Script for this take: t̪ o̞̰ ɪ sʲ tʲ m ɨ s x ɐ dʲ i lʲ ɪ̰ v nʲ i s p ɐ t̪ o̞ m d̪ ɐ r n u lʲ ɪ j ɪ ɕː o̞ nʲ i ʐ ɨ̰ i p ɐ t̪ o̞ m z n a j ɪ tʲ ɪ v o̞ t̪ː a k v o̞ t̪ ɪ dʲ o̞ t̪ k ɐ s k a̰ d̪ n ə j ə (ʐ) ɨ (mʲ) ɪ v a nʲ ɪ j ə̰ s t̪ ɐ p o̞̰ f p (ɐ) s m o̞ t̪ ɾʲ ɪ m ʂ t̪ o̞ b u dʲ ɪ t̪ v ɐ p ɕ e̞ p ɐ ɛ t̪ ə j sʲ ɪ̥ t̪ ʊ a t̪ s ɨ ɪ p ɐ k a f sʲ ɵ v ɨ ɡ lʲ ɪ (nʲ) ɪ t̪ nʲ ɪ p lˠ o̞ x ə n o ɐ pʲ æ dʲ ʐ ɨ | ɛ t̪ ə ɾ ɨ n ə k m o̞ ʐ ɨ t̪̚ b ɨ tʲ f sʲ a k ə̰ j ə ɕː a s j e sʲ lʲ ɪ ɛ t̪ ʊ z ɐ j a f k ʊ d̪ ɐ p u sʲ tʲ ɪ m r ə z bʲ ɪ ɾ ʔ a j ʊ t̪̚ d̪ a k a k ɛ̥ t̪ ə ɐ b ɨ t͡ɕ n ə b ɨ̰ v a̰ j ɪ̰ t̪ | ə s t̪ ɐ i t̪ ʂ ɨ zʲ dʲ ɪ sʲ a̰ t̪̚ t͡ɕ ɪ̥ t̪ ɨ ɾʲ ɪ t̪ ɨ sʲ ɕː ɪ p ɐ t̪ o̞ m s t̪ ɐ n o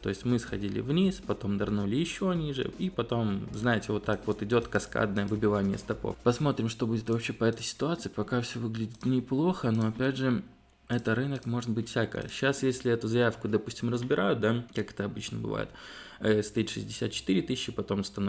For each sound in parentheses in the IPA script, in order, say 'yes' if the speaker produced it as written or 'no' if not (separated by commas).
no, no, yes, no